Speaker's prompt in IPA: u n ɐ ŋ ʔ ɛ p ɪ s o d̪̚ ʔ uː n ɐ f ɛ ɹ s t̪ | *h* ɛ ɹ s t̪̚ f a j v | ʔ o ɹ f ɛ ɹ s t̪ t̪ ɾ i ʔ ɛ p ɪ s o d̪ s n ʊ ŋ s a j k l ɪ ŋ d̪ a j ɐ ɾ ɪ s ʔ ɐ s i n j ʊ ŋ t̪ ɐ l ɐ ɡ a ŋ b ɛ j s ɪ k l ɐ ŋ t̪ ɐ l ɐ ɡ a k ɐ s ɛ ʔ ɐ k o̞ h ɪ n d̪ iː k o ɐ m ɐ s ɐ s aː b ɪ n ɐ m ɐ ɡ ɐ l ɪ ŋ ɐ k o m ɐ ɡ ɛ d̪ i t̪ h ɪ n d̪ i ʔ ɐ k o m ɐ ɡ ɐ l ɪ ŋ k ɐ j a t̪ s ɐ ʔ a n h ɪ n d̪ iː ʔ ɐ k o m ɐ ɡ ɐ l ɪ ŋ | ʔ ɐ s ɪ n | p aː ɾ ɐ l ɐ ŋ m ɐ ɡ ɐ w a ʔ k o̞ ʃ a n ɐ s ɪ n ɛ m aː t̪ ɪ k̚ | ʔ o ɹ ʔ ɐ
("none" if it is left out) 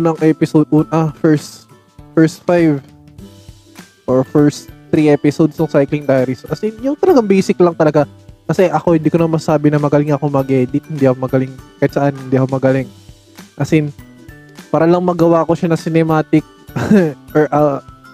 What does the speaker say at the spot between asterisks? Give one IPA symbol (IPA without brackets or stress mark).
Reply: f